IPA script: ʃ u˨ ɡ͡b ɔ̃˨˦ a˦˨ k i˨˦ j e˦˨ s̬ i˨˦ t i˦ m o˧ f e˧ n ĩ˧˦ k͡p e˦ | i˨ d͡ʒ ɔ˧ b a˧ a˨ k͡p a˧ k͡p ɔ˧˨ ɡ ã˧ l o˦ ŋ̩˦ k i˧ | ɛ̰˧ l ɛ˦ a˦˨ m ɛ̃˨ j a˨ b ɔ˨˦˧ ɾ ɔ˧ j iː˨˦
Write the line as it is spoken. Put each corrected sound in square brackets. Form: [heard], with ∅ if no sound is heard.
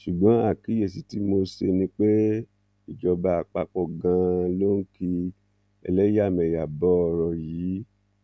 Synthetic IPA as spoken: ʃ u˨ ɡ͡b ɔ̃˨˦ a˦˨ k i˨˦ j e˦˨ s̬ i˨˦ t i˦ m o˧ [s] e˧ n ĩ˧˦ k͡p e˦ | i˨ d͡ʒ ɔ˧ b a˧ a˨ k͡p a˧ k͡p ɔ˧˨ ɡ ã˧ l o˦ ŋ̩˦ k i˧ | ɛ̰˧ l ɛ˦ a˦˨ m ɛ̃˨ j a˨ b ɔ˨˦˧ ɾ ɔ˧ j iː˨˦